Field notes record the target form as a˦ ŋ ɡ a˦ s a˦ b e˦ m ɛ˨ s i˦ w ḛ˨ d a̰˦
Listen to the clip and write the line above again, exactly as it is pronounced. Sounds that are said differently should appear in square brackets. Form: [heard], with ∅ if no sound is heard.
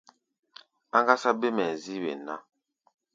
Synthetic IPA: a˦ ŋ ɡ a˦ s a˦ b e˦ m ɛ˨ [z] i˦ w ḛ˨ [n] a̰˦

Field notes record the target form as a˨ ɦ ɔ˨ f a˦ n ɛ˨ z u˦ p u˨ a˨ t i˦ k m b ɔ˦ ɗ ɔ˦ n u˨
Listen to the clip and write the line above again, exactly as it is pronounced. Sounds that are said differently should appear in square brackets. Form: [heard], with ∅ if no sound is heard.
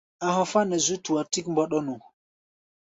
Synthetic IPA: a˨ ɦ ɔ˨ f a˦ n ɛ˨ z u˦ [t] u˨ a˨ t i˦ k m b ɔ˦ ɗ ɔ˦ n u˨

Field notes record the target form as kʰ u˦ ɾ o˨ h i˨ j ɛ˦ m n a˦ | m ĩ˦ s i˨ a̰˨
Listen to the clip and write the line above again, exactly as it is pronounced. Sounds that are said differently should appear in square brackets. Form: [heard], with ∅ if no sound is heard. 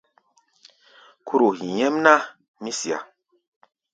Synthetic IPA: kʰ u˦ ɾ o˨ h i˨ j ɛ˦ m n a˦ | m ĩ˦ s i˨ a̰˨

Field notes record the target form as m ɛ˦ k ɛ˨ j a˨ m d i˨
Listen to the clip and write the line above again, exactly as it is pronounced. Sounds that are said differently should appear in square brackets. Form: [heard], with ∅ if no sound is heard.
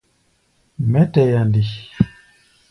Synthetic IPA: m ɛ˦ [t] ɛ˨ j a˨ [n] d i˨

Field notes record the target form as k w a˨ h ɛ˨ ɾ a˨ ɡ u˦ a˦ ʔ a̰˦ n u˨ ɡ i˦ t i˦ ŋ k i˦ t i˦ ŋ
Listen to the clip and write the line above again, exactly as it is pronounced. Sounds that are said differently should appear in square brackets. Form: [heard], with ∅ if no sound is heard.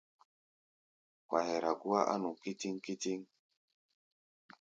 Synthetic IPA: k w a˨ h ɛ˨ ɾ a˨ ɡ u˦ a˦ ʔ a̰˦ n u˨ [k] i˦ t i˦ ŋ k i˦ t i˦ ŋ

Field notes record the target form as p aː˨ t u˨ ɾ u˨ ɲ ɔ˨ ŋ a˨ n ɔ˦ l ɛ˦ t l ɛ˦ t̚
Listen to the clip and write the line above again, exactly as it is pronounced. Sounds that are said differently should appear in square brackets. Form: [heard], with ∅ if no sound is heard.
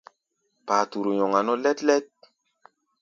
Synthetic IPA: p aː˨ t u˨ ɾ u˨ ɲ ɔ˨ ŋ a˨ n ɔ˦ l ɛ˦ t l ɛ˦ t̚

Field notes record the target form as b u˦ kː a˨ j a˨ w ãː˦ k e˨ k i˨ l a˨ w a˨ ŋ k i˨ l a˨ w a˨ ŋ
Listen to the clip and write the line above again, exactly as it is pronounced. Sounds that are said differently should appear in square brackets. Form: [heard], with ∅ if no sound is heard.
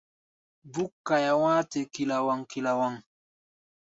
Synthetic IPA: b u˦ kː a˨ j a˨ w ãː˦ [t] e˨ k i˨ l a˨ w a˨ ŋ k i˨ l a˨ w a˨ ŋ

